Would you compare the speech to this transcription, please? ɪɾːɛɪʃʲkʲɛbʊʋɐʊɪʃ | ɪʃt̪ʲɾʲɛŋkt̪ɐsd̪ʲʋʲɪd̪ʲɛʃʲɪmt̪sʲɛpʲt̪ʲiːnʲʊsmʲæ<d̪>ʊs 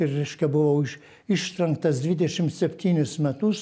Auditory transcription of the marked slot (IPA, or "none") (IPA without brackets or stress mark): t̪